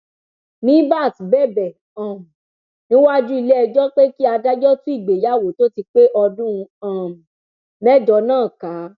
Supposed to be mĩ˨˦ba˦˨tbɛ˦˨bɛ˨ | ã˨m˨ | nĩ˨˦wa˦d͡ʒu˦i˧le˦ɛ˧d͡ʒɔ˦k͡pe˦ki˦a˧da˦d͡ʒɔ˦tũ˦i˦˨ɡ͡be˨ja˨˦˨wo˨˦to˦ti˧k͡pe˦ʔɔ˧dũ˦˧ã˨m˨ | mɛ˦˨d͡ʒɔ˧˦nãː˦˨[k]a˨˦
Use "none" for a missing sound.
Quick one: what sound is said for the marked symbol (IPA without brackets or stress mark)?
k